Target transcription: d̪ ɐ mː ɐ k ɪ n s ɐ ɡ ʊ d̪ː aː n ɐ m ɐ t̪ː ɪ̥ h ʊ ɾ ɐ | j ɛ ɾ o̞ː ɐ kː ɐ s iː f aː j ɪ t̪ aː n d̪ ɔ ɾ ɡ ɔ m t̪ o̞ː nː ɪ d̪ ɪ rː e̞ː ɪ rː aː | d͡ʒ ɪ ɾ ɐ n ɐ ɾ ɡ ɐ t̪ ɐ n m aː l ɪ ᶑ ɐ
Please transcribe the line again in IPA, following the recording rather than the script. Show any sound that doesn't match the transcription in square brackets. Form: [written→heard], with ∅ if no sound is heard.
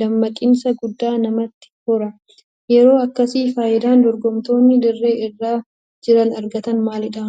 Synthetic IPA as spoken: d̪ ɐ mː ɐ [k→kʼ] ɪ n s ɐ ɡ ʊ d̪ː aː n ɐ m ɐ t̪ː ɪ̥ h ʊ ɾ ɐ | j ɛ ɾ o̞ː ɐ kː ɐ s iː f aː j ɪ [t̪→d̪] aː n d̪ ɔ ɾ ɡ ɔ m t̪ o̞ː nː ɪ d̪ ɪ rː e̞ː ɪ rː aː | d͡ʒ ɪ ɾ ɐ n ɐ ɾ ɡ ɐ t̪ ɐ n m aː l ɪ ᶑ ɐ